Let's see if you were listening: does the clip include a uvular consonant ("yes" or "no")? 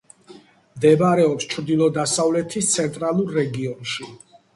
no